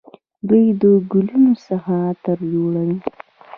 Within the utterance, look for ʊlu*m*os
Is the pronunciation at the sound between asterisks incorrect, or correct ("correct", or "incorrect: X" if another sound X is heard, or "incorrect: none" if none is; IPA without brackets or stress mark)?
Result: incorrect: n